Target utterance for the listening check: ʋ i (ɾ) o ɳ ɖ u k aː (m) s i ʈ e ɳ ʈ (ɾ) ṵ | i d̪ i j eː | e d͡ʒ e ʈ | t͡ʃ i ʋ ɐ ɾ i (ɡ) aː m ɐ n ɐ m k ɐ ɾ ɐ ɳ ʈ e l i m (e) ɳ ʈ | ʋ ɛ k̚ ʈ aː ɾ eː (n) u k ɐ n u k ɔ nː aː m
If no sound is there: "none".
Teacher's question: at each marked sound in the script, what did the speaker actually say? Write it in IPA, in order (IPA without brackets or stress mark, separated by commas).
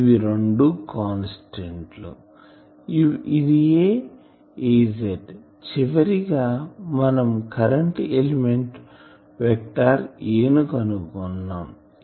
ɾ, n, l, ɡ, e, n